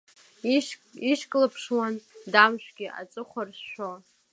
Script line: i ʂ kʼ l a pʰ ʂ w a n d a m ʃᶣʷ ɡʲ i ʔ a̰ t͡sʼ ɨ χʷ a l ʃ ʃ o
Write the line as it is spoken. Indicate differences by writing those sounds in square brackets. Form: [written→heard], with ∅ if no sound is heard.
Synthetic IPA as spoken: i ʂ kʼ l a pʰ ʂ w a n d a m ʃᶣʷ ɡʲ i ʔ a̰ t͡sʼ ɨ χʷ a [l→r] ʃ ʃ o